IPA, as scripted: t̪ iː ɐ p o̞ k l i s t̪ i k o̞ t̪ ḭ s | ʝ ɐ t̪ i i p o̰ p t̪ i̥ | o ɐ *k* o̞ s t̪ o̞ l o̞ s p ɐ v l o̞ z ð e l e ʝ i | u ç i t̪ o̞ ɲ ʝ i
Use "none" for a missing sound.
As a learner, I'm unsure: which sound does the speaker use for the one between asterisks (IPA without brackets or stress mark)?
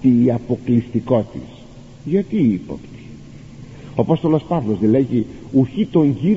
p